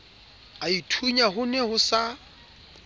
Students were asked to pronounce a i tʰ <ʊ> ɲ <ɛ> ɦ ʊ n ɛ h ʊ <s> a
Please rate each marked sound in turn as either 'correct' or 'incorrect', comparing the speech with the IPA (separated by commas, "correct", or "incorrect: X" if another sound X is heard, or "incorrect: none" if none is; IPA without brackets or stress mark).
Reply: incorrect: u, incorrect: a, correct